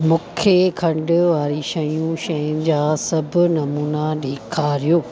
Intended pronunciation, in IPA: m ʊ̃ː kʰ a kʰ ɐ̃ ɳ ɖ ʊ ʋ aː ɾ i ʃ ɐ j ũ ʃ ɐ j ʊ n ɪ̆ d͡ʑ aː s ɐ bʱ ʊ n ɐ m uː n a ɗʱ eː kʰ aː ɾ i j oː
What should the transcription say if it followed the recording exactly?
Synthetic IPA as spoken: m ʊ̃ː kʰ e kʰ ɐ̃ ɳ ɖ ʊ ʋ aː ɾ i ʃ ɐ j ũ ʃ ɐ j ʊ n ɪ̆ d͡ʑ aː s ɐ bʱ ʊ n ɐ m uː n a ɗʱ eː kʰ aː ɾ i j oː